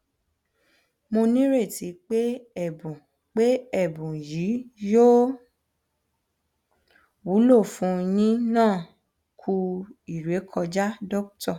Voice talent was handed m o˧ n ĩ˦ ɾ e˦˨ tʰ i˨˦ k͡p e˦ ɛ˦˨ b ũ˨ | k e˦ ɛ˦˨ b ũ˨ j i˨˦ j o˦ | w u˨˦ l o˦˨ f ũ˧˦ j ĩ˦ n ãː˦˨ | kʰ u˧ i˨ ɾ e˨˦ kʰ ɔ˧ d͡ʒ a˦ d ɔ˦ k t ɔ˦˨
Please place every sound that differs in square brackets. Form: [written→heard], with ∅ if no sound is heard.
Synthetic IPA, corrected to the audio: m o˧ n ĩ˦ ɾ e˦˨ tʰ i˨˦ k͡p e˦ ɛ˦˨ b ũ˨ | [k→k͡p] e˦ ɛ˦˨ b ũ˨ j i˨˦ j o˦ | w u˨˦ l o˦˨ f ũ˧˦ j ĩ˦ n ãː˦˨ | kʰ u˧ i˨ ɾ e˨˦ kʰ ɔ˧ d͡ʒ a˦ d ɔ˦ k t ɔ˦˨